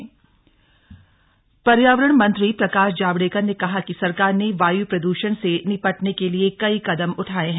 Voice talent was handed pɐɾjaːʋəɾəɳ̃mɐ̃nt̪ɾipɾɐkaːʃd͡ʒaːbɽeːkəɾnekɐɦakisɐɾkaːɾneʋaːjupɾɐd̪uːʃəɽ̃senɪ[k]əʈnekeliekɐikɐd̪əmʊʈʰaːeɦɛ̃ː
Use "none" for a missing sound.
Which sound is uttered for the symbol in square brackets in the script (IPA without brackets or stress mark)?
p